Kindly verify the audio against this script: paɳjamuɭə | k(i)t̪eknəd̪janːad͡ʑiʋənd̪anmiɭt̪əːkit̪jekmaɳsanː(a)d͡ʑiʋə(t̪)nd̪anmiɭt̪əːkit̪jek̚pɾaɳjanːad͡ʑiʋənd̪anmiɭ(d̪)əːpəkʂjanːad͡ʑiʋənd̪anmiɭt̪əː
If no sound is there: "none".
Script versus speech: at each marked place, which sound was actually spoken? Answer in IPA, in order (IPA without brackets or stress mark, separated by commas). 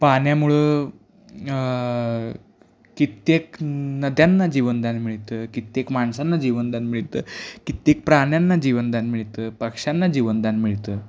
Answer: i, a, none, t̪